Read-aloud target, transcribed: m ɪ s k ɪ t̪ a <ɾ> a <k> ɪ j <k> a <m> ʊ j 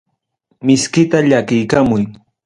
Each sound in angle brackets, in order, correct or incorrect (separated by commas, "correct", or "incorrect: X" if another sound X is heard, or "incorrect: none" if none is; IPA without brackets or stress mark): incorrect: ʎ, correct, correct, correct